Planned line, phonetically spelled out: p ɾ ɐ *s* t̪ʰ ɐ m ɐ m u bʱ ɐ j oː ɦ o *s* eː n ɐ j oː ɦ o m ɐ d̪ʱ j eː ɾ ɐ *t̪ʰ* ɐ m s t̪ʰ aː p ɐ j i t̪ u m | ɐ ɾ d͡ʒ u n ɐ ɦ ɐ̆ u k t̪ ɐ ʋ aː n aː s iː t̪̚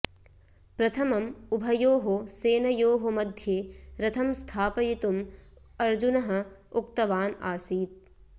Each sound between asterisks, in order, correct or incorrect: incorrect: none, correct, correct

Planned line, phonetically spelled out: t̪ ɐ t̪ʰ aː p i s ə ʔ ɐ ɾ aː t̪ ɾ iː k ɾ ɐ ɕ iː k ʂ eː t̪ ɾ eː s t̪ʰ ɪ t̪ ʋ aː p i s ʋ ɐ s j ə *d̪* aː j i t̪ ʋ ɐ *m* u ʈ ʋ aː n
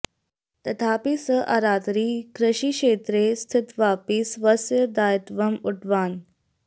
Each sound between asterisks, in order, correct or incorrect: correct, correct

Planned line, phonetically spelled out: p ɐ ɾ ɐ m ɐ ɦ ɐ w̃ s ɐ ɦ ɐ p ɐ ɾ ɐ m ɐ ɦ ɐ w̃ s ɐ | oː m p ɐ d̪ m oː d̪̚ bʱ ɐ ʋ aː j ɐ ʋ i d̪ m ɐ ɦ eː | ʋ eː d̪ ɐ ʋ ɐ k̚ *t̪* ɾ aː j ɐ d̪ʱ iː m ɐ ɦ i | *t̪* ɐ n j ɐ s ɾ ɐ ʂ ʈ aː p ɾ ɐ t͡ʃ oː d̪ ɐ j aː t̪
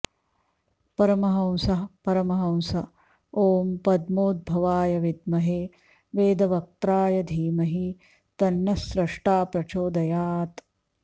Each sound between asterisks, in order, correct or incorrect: correct, correct

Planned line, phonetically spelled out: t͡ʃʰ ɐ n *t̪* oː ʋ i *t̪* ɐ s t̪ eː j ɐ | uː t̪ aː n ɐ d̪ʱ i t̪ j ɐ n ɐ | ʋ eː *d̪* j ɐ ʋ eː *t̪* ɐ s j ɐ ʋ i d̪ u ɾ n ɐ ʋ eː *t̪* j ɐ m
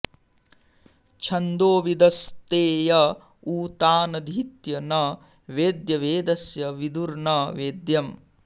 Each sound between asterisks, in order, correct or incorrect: incorrect: d̪, incorrect: d̪, correct, incorrect: d̪, incorrect: d̪

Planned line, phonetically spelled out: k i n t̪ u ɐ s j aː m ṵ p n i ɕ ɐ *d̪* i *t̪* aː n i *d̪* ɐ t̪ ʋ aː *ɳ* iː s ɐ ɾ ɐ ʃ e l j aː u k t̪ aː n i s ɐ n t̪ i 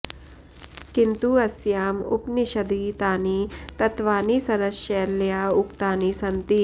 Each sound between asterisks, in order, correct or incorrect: correct, correct, incorrect: t̪, incorrect: n

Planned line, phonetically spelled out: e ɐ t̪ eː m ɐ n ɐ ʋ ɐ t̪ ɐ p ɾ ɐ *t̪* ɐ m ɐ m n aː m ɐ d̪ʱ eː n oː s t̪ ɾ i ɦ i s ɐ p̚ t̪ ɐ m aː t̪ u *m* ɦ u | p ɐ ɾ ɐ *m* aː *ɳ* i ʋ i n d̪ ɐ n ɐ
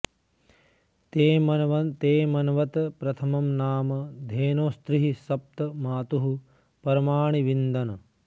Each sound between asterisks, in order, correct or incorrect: incorrect: t̪ʰ, incorrect: none, correct, correct

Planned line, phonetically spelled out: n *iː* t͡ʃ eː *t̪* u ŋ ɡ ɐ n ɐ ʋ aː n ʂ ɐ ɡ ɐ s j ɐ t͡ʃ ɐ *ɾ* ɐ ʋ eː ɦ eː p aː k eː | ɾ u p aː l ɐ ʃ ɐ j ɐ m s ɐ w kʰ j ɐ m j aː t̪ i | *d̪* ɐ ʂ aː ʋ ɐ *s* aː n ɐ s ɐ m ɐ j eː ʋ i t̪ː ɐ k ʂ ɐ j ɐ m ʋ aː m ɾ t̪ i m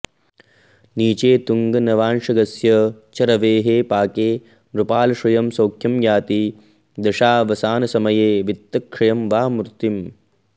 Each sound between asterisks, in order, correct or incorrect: correct, correct, correct, correct, correct

